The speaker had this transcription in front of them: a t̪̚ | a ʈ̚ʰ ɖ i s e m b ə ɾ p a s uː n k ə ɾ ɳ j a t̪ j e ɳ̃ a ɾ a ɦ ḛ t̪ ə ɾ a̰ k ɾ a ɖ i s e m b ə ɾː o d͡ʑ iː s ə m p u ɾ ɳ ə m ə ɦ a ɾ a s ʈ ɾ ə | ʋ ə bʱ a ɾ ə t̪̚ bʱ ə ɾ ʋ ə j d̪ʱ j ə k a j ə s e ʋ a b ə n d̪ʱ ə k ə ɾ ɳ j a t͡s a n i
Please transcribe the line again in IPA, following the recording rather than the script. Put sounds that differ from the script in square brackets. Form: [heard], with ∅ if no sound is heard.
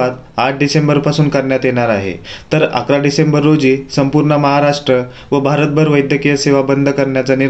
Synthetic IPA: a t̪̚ | a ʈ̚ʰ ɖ i s e m b ə ɾ p a s uː n k ə ɾ ɳ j a t̪ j e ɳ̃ a ɾ a ɦ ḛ t̪ ə ɾ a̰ k ɾ a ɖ i s e m b ə ɾː o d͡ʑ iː s ə m p u ɾ ɳ ə m ə ɦ a ɾ a [ʂ] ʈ ɾ ə | ʋ ə bʱ a ɾ ə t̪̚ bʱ ə ɾ ʋ ə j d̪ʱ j ə k [i] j ə s e ʋ a b ə n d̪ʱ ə k ə ɾ ɳ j a t͡s a n i